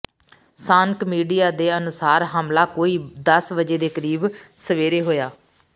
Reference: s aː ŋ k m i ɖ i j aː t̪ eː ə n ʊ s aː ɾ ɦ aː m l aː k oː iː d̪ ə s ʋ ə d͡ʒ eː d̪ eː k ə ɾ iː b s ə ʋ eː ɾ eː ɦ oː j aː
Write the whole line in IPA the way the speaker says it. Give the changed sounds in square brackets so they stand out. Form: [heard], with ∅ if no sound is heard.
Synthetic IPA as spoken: s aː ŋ k m [iː] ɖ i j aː [d̪] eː ə n ʊ s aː ɾ ɦ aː m l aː k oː iː d̪ ə s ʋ ə d͡ʒ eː d̪ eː k ə ɾ iː b s ə ʋ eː ɾ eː ɦ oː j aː